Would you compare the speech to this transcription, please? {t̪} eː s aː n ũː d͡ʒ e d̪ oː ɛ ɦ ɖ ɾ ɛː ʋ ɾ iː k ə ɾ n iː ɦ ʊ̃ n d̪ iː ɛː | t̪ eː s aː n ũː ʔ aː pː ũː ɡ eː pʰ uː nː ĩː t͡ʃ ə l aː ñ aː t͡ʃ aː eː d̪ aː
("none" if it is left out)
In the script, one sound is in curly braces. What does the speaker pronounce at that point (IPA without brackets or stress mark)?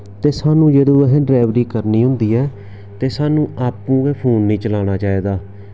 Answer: t̪